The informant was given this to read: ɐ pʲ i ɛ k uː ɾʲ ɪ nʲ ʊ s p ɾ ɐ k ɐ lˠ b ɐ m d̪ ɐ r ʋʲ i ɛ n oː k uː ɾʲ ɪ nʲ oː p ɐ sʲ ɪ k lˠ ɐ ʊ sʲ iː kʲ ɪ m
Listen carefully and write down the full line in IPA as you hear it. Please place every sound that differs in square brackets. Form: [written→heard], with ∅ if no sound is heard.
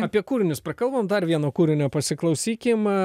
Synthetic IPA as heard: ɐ pʲ i ɛ k uː ɾʲ ɪ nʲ ʊ s p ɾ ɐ k ɐ lˠ b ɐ m d̪ ɐ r ʋʲ i ɛ n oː k uː ɾʲ ɪ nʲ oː p ɐ sʲ ɪ k lˠ ɐ ʊ sʲ iː kʲ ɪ m

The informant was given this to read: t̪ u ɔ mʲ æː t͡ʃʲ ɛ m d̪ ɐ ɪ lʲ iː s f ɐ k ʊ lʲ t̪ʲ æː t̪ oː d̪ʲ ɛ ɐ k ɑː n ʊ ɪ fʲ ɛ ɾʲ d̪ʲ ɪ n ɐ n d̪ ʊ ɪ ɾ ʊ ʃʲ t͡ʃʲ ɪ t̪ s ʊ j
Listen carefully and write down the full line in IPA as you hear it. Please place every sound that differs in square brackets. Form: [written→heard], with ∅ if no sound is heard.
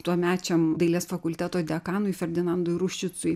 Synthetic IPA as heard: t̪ u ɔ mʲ æː t͡ʃʲ ɛ m d̪ ɐ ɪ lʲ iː s f ɐ k ʊ lʲ t̪ʲ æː t̪ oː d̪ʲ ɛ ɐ k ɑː n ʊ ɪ fʲ ɛ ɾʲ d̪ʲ ɪ n ɐ n d̪ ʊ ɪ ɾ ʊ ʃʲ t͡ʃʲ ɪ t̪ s ʊ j

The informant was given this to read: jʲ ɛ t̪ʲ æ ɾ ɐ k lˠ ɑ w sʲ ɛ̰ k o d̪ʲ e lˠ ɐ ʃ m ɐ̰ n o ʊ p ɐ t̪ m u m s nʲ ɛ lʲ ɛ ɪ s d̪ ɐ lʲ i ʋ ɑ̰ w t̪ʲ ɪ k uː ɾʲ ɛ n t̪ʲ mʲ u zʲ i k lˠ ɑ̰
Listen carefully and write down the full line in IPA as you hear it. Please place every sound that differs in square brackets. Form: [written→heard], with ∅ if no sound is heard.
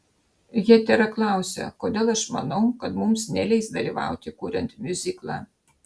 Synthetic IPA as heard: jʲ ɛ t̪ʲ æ ɾ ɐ k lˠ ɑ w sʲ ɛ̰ k o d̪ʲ e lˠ ɐ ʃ m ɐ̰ n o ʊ [p→k] ɐ t̪ m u m s nʲ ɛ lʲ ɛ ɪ s d̪ ɐ lʲ i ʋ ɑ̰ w t̪ʲ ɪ k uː ɾʲ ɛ n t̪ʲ mʲ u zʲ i k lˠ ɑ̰

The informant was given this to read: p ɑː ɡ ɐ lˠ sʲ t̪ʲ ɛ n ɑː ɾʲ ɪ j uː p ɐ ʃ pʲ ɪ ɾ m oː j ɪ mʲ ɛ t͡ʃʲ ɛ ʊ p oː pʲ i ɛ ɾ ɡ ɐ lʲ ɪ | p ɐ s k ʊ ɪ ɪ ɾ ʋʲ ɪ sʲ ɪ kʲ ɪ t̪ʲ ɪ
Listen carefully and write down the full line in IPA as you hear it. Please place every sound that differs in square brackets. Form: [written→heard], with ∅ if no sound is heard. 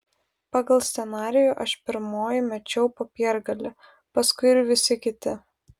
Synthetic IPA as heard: p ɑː ɡ ɐ lˠ sʲ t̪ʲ ɛ n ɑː ɾʲ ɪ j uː [p→ʔ] ɐ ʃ pʲ ɪ ɾ m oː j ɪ mʲ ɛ t͡ʃʲ ɛ ʊ p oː pʲ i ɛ ɾ ɡ ɐ lʲ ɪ | p ɐ s k ʊ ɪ ɪ ɾ ʋʲ ɪ sʲ ɪ kʲ ɪ t̪ʲ ɪ

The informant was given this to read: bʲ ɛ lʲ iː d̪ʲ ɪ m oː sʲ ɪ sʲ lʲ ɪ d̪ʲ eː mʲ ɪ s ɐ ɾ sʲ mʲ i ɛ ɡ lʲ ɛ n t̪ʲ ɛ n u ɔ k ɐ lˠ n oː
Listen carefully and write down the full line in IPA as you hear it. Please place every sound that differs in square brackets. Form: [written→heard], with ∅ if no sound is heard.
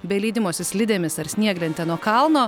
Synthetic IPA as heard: bʲ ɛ lʲ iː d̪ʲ ɪ m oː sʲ ɪ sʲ lʲ ɪ d̪ʲ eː mʲ ɪ s ɐ ɾ sʲ [mʲ→nʲ] i ɛ ɡ lʲ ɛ n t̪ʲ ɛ n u ɔ k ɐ lˠ n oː

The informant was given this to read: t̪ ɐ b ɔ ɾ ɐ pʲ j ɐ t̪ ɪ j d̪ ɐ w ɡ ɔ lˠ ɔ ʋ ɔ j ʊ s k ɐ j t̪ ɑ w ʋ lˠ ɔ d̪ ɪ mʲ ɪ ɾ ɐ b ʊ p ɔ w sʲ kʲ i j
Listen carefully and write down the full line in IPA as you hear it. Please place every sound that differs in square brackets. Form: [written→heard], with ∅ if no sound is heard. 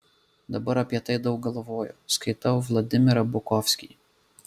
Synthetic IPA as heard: [t̪→d̪] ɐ b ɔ ɾ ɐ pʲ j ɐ t̪ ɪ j d̪ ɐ w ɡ ɔ lˠ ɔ ʋ ɔ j ʊ s k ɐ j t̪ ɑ w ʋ lˠ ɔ d̪ ɪ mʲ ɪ ɾ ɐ b ʊ [p→k] ɔ w sʲ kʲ i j

